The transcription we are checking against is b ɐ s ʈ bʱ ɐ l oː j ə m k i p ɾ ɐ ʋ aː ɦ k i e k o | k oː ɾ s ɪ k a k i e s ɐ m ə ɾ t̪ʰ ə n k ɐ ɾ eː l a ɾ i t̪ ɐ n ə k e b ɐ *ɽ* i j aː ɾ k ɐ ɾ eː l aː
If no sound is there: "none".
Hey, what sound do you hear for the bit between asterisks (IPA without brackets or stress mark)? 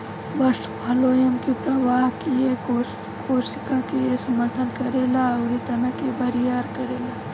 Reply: ɾ